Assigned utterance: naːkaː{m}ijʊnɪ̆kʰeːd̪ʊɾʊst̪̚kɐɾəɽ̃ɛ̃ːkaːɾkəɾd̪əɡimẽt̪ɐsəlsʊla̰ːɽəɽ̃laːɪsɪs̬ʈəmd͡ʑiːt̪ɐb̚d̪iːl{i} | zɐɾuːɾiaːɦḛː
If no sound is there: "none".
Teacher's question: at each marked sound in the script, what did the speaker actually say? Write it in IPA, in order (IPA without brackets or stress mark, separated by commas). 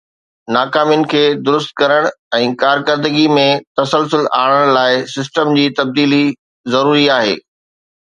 m, i